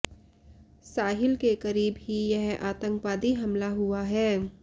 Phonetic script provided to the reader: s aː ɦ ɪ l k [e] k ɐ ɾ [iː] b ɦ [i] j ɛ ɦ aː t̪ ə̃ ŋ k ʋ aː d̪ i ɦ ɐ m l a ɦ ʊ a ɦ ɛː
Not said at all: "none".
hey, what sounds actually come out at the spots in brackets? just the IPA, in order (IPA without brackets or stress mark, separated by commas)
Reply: e, iː, i